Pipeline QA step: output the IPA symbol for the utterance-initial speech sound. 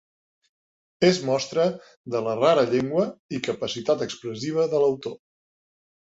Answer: e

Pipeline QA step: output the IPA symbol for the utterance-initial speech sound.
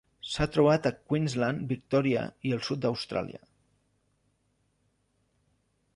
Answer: s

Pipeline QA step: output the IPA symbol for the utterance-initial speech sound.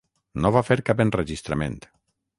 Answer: n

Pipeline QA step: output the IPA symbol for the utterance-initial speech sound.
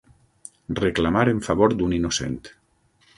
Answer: r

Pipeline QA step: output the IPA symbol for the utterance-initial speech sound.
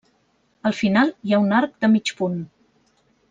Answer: ə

